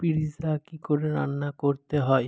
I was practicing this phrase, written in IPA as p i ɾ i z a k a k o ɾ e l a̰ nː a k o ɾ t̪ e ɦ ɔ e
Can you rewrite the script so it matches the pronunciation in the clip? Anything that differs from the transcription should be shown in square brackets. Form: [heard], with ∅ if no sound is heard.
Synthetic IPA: p i ɾ i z a k [i] k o ɾ e [ɾ] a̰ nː a k o ɾ t̪ e ɦ ɔ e

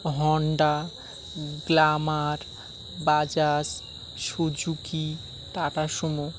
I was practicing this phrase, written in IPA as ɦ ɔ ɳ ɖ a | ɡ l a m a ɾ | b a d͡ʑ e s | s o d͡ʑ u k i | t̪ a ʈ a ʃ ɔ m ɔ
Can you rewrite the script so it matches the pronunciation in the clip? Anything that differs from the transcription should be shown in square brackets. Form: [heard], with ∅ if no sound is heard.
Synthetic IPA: ɦ ɔ ɳ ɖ a | ɡ l a m a ɾ | b a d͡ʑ [a] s | [ʃ] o d͡ʑ u k i | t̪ a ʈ a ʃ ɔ m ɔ

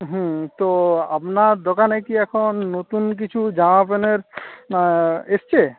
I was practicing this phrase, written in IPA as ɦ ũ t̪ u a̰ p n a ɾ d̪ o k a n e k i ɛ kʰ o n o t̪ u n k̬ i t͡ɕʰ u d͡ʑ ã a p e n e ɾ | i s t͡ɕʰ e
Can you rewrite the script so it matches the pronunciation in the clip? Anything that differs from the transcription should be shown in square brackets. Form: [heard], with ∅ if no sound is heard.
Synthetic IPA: ɦ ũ t̪ [o] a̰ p n a ɾ d̪ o k a n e k i ɛ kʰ o [nː] o t̪ u n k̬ i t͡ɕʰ u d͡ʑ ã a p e n e ɾ | [e] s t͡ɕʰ e

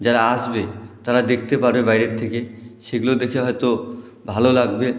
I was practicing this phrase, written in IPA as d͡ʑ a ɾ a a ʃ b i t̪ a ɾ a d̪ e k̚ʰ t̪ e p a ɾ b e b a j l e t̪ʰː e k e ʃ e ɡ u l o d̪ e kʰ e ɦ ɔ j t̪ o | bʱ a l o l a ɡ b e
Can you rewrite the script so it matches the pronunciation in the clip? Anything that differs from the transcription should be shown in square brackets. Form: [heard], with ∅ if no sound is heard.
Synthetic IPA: d͡ʑ a ɾ a a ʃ b [e] t̪ a ɾ a d̪ e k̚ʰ t̪ e p a ɾ b e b a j [ɾ] e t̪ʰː e k e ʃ e ɡ u l o d̪ e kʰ e ɦ ɔ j t̪ o | bʱ a l o l a ɡ b e

